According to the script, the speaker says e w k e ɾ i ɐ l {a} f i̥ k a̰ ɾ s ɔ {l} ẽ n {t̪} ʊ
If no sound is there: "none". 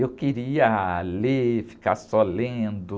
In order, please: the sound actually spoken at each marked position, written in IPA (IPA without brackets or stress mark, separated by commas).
e, l, d̪